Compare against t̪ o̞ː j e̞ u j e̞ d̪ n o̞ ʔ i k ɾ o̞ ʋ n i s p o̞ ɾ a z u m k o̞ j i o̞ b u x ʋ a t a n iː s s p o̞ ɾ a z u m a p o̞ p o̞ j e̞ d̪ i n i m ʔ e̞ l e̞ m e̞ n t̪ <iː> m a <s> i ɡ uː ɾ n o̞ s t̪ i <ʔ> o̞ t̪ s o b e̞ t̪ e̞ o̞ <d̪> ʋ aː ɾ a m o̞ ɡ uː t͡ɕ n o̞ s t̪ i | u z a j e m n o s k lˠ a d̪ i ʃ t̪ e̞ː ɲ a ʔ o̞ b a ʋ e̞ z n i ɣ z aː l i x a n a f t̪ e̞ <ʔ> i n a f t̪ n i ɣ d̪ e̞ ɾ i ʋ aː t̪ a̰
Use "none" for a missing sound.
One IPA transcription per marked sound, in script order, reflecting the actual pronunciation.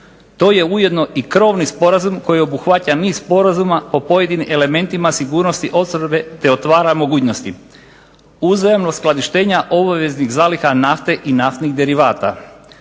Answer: i, s, ʔ, t̪, ʔ

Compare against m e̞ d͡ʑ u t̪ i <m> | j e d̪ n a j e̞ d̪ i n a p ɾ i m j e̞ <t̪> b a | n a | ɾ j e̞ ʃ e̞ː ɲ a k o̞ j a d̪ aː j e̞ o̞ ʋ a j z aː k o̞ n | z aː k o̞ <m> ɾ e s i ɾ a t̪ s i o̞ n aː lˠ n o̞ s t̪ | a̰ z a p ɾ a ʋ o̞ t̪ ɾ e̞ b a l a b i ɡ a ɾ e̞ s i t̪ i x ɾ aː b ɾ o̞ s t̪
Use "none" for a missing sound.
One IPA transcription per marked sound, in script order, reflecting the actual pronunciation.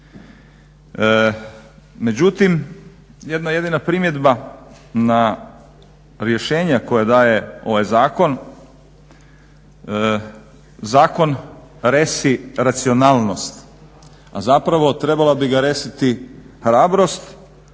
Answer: m, d̪, n

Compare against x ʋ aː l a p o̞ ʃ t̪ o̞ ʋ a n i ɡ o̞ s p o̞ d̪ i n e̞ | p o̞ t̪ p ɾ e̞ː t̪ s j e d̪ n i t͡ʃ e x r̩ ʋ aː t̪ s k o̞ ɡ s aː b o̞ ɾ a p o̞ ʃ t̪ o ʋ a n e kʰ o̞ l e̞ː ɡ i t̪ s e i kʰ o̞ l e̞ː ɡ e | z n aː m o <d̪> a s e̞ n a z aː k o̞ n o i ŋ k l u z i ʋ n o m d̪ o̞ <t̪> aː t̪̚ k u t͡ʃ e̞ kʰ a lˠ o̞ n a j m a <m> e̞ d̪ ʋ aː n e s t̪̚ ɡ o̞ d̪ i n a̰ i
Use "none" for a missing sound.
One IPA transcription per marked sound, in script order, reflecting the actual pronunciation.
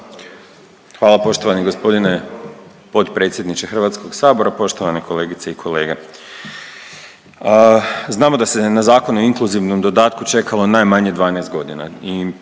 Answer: d̪, d̪, ɲ

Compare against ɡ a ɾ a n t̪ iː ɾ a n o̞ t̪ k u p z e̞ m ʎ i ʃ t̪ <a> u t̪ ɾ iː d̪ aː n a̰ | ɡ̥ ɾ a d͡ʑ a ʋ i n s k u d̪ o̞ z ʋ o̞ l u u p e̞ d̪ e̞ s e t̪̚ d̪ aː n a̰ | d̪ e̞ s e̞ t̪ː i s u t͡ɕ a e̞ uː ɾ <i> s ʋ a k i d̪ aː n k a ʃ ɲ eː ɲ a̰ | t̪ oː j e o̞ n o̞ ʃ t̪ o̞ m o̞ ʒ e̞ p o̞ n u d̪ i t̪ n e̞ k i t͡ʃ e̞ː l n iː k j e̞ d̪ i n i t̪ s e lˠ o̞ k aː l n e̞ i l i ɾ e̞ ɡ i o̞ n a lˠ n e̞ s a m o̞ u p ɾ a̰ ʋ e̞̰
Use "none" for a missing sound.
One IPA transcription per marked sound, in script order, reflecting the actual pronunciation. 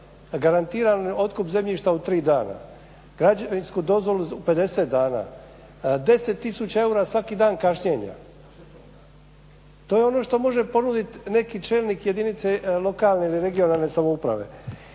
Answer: a, a

